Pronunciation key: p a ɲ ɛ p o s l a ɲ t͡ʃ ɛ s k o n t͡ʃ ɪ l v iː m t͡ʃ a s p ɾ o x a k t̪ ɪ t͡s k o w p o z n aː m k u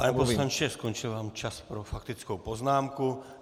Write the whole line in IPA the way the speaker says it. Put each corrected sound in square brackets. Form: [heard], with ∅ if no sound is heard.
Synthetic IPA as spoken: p a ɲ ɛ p o s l a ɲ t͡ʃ ɛ s k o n t͡ʃ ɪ l v [aː] m t͡ʃ a s p ɾ o [f] a k t̪ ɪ t͡s k o w p o z n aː m k u